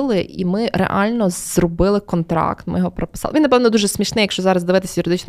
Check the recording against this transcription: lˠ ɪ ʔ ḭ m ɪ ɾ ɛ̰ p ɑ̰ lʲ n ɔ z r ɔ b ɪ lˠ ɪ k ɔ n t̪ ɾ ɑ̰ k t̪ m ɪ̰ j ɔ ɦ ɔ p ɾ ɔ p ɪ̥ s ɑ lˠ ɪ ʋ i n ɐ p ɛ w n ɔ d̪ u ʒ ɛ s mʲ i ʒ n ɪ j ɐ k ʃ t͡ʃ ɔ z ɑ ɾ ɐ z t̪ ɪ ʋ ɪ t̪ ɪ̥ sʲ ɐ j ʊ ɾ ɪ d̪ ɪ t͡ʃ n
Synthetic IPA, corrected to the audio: lˠ ɪ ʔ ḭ m ɪ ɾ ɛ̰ ʔ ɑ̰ lʲ n ɔ z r ɔ b ɪ lˠ ɪ k ɔ n t̪ ɾ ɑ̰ k t̪ m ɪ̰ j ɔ ɦ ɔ p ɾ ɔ p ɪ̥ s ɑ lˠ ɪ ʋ i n ɐ p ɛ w n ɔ d̪ u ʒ ɛ s mʲ i ʃ n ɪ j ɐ k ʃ t͡ʃ ɔ z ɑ ɾ ɐ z d̪ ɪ ʋ ɪ t̪ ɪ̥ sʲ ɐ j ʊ ɾ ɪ d̪ ɪ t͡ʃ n